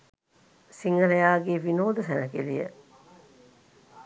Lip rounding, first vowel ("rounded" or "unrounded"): unrounded